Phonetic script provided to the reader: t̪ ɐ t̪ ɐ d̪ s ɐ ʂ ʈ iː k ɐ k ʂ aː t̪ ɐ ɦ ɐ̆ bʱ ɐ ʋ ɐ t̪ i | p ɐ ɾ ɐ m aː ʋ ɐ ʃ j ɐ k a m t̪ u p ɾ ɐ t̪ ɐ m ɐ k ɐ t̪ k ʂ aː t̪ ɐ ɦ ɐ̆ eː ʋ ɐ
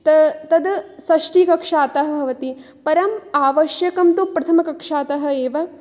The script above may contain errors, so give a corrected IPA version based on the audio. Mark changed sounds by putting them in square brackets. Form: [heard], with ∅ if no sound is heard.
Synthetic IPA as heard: t̪ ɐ t̪ ɐ d̪ s ɐ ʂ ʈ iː k ɐ k ʂ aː t̪ ɐ ɦ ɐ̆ bʱ ɐ ʋ ɐ t̪ i | p ɐ ɾ ɐ m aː ʋ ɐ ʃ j ɐ k [ɐ] m t̪ u p ɾ ɐ [t̪ʰ] ɐ m ɐ k ɐ [∅] k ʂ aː t̪ ɐ ɦ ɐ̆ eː ʋ ɐ